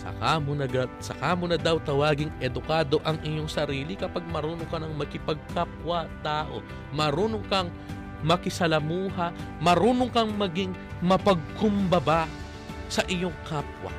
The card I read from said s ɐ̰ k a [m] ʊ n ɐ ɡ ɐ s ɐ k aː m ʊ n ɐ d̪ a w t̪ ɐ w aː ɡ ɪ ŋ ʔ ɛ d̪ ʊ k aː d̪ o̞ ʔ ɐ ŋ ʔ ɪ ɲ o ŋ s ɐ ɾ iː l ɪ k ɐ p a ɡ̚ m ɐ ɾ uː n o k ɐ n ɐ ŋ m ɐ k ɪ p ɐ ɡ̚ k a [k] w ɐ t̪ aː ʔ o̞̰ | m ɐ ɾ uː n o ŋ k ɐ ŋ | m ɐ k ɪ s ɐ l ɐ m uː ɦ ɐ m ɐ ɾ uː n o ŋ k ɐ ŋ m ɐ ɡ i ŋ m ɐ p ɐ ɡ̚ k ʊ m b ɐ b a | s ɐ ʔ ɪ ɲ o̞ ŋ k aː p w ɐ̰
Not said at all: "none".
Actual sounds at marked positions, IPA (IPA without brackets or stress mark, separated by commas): m, p